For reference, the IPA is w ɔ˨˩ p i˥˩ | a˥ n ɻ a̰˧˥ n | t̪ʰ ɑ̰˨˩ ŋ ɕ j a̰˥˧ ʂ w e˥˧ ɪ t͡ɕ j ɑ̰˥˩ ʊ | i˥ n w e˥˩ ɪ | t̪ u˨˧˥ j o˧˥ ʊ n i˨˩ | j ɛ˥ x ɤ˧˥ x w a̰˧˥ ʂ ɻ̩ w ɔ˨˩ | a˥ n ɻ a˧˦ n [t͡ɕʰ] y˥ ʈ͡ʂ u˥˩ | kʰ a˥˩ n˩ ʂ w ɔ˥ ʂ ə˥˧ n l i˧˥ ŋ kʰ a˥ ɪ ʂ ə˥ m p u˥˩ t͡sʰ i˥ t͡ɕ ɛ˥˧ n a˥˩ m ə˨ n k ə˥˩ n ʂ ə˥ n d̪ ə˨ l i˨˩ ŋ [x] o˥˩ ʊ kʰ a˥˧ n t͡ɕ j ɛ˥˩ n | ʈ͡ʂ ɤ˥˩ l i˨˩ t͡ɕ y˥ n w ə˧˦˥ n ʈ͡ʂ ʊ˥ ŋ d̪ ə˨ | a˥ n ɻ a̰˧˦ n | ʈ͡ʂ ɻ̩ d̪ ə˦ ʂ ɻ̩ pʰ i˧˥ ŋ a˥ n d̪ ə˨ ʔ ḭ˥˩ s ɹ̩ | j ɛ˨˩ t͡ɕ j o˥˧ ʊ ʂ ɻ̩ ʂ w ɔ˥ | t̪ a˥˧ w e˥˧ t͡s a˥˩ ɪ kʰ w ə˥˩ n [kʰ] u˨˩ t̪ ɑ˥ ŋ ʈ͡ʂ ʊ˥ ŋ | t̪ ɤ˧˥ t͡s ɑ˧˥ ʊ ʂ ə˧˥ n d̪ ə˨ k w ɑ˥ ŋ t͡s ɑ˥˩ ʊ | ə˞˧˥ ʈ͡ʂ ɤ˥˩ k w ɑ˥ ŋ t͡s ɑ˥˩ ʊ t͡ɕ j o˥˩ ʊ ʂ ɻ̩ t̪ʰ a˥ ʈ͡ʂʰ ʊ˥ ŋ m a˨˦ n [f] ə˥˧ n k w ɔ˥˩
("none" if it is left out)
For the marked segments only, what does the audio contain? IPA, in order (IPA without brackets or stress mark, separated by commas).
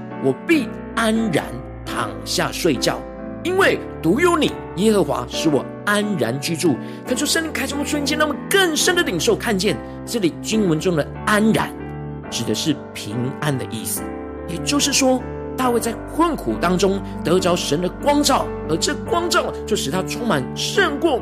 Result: t͡ɕ, ʂ, kʰ, ʂ